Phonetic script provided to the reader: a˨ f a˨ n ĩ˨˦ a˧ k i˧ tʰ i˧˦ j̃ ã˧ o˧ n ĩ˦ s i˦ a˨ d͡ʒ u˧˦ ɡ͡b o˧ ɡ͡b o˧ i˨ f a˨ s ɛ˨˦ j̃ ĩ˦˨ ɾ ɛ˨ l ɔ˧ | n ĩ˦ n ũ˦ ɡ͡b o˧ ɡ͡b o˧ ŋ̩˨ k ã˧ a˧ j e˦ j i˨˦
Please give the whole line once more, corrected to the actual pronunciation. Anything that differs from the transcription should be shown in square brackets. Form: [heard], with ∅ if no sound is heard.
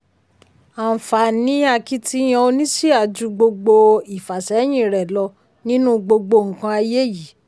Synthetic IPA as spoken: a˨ f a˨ n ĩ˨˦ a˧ k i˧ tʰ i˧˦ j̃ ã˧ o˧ n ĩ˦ s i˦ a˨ d͡ʒ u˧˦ ɡ͡b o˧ ɡ͡b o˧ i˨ f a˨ s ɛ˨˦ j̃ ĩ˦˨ ɾ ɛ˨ l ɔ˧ | n ĩ˦ n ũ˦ ɡ͡b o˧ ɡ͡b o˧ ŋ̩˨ k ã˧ a˧ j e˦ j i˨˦